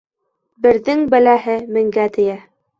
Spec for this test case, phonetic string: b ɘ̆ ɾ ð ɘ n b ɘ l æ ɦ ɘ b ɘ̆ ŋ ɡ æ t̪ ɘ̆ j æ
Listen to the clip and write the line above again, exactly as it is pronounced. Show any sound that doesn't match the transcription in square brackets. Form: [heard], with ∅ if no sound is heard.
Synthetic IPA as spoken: b ɘ̆ ɾ ð ɘ [ŋ] b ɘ l æ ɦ ɘ [m] ɘ̆ ŋ ɡ æ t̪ ɘ̆ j æ